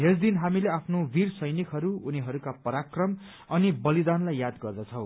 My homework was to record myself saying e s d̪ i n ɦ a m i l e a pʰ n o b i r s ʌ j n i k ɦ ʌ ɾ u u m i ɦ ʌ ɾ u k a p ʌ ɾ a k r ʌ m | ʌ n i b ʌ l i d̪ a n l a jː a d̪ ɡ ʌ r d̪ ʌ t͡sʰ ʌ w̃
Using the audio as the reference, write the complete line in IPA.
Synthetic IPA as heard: e s d̪ i n ɦ a m i l e a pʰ n o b i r s ʌ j n i k ɦ ʌ ɾ u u n i ɦ ʌ ɾ u k a p ʌ ɾ a k r ʌ m | ʌ n i b ʌ l i d̪ a n l a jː a d̪ ɡ ʌ r d̪ ʌ t͡sʰ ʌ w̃